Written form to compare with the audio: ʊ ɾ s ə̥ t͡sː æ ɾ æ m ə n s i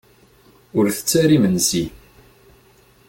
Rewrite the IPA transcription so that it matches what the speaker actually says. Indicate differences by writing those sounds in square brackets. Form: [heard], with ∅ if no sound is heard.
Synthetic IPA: ʊ ɾ [θ] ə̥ t͡sː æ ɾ [i] m ə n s i